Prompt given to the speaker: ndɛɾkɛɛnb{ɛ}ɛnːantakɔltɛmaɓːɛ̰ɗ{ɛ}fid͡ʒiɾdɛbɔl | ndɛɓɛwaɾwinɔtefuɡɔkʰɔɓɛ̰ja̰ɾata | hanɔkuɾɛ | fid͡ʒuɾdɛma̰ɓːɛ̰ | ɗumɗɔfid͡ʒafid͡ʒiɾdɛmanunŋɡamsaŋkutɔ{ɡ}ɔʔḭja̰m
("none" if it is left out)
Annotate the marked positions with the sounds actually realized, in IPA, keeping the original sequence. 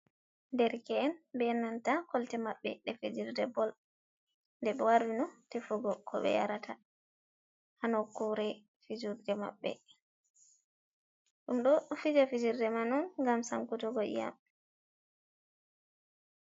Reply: ɛ, ɛ, ɡ

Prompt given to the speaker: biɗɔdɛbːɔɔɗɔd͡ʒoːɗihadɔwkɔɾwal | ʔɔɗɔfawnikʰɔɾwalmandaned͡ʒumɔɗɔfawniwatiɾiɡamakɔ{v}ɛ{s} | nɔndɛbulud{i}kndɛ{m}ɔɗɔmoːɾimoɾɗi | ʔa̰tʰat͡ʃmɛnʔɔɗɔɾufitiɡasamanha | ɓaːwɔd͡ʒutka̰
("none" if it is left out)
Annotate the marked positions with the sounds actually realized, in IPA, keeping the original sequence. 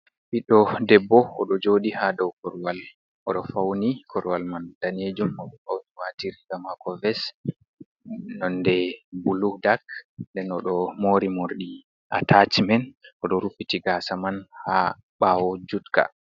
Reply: v, s, a, n

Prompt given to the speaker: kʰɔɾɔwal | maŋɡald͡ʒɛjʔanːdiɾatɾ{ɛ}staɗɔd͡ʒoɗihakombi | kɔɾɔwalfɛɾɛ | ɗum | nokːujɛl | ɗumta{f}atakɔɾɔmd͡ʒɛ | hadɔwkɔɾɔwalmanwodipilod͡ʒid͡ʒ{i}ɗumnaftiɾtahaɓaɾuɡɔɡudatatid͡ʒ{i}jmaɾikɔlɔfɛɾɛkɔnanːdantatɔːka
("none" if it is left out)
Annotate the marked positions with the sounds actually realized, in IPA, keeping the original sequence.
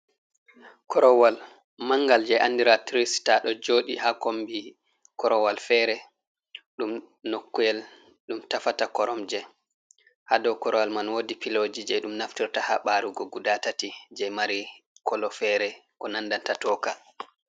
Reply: i, f, ɛ, ɛ

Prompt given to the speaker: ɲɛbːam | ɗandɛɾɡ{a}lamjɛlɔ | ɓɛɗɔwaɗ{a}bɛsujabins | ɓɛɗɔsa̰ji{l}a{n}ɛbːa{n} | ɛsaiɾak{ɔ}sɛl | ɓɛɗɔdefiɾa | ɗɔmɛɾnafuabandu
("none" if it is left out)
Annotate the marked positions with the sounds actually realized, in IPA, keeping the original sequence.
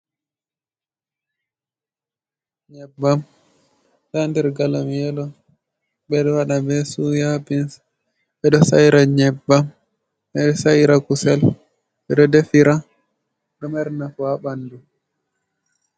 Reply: a, a, ɾ, ɲ, m, u

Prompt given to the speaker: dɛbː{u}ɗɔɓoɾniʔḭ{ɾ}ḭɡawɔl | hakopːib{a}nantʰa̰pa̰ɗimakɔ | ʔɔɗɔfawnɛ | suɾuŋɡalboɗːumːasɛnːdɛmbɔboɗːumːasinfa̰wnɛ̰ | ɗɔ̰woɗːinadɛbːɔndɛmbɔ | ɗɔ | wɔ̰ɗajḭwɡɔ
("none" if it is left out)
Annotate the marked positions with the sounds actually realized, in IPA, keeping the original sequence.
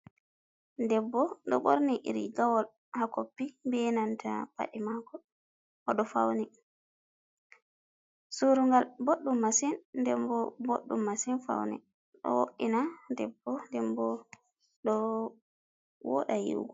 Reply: ɔ, ɾ, ɛ

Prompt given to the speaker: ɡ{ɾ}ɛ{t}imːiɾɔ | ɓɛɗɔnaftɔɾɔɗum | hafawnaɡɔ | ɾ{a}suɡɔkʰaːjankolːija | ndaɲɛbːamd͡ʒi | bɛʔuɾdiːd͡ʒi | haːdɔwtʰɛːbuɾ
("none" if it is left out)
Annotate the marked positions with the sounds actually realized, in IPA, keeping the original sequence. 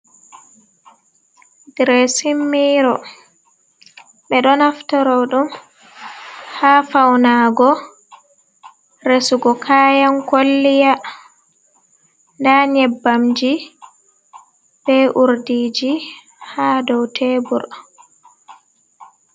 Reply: ɾ, s, e

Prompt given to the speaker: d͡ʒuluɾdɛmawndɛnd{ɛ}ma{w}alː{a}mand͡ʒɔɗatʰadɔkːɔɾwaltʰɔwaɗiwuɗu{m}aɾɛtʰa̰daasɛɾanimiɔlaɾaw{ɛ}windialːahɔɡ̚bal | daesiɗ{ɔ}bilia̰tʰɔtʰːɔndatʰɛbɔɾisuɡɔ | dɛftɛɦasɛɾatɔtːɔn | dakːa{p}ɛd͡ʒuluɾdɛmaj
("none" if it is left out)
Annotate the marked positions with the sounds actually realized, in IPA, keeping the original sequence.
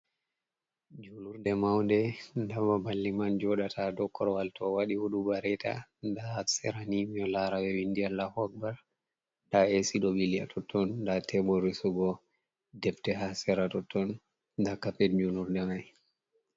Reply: a, b, i, b, ɛ, ɔ, p

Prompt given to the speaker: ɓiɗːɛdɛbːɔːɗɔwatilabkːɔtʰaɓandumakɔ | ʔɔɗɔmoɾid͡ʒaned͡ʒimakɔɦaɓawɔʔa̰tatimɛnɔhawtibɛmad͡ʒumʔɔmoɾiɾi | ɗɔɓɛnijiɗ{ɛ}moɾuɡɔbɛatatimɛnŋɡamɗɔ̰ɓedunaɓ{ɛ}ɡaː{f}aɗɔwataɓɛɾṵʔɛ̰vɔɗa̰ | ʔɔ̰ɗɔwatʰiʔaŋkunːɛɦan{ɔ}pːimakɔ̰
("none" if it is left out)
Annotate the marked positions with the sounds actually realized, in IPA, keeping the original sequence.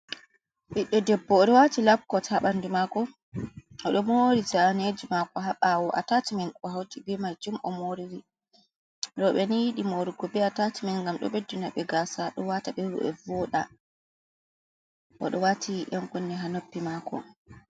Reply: i, ɛ, s, o

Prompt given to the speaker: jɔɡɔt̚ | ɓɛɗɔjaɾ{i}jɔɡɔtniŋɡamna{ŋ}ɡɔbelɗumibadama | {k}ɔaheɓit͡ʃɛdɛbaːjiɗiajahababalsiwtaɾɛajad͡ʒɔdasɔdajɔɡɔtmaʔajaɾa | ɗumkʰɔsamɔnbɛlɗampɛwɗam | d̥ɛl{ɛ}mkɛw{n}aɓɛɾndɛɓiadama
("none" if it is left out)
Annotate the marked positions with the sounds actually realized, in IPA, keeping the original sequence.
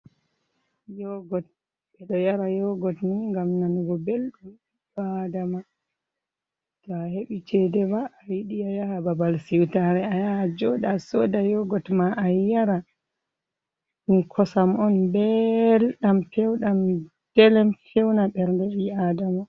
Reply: a, n, t, ɛ, n

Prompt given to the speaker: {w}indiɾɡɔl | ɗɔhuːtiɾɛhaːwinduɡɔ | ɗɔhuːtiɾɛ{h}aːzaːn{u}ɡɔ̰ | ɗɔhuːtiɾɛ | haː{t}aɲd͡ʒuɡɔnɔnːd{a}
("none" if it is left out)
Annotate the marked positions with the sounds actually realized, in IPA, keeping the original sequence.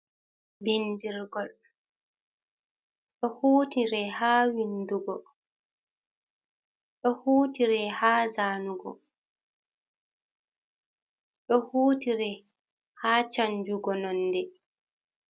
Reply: b, h, u, t͡ʃ, ɛ

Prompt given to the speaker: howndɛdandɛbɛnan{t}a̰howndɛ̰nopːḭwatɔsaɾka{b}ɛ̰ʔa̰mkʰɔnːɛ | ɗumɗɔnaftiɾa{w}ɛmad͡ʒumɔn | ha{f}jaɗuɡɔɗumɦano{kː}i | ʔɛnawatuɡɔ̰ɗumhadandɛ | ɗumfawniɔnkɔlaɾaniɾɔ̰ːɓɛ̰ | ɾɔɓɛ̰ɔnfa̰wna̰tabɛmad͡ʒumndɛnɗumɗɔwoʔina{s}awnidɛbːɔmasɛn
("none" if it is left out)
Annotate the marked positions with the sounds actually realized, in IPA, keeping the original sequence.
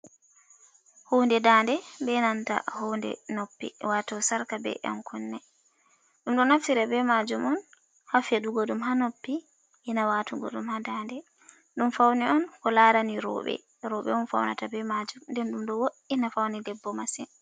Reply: t, b, b, f, pː, f

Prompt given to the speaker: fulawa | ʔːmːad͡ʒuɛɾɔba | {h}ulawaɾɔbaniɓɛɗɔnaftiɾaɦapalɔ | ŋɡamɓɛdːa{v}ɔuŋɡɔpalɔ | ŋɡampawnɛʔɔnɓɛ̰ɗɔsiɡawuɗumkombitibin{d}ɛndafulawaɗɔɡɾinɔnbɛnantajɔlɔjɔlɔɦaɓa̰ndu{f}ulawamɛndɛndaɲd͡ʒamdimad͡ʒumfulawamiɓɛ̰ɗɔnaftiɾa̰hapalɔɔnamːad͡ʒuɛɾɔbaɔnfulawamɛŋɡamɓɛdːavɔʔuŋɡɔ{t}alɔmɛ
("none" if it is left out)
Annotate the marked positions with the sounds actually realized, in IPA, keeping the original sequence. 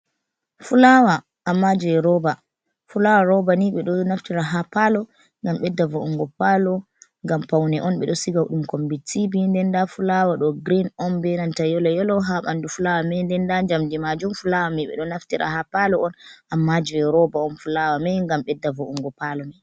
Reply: f, v, d, f, p

